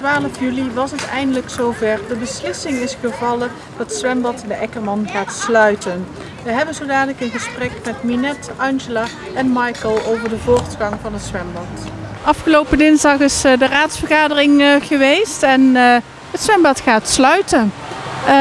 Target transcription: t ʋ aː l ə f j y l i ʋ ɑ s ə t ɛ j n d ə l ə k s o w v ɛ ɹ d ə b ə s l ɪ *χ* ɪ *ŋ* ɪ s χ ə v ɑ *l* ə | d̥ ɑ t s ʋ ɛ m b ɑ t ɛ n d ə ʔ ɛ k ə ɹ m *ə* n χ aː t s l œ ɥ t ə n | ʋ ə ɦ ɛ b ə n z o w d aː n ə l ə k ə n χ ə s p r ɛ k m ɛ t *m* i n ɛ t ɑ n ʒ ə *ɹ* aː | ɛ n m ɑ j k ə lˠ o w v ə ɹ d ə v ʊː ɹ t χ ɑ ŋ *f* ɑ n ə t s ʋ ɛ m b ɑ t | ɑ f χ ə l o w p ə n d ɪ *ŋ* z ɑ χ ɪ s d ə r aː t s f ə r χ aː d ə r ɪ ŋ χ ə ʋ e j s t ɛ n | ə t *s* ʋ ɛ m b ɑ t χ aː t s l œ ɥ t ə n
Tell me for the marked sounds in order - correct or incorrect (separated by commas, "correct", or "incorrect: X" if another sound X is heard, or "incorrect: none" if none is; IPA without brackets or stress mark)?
incorrect: s, correct, correct, incorrect: ɑ, correct, incorrect: l, incorrect: v, incorrect: n, correct